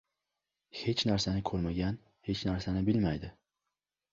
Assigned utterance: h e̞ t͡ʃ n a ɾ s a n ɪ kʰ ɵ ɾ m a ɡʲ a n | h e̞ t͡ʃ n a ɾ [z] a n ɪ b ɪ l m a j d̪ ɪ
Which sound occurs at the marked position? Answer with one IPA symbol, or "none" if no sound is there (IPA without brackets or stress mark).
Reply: s